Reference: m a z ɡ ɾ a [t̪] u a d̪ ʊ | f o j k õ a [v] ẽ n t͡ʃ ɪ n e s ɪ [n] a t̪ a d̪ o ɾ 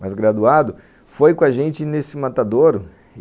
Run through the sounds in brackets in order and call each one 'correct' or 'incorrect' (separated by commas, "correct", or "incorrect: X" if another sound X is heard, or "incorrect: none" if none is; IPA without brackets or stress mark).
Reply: incorrect: d̪, incorrect: ʒ, incorrect: m